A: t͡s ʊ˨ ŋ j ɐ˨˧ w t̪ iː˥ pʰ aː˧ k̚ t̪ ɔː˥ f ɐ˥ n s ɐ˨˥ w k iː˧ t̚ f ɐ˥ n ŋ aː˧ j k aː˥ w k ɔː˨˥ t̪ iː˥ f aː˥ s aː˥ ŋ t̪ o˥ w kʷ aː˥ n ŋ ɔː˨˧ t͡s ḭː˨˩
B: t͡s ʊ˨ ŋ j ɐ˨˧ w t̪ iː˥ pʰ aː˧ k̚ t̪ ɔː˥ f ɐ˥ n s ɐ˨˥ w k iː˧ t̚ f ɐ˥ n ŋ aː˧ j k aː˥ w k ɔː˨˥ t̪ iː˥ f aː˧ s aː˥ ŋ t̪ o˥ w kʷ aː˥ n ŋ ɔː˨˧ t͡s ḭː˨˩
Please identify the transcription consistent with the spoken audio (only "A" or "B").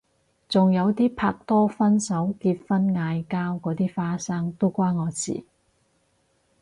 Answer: A